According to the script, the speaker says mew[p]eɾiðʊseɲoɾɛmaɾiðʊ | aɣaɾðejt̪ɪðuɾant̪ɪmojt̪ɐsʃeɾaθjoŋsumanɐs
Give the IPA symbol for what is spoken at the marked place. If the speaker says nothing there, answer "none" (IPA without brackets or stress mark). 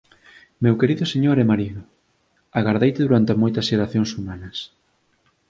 k